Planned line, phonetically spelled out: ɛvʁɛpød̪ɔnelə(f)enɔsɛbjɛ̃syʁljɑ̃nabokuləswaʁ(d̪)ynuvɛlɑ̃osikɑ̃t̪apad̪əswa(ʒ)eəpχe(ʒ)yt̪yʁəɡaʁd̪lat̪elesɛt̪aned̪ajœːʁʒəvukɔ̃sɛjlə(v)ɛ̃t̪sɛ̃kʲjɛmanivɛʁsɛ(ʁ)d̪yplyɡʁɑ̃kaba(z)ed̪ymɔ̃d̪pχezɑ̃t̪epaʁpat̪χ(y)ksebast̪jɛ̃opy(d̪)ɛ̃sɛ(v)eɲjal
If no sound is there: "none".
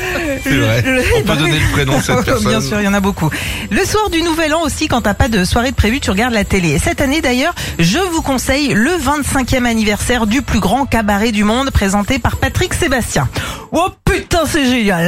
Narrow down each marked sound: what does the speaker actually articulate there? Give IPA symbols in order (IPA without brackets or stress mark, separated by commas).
χ, d̪, ʁ, v, v, ʁ, ʁ, i, t̪, ʒ